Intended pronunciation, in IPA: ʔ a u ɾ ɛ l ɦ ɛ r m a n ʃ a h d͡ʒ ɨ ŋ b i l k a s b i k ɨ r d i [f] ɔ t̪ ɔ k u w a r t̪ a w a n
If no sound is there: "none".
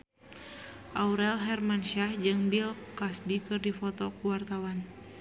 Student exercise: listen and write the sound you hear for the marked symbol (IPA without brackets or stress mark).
f